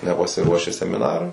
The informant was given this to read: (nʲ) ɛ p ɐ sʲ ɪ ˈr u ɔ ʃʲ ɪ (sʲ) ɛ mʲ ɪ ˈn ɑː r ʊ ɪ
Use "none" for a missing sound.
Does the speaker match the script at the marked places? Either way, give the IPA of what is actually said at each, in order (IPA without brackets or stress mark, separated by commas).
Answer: nʲ, sʲ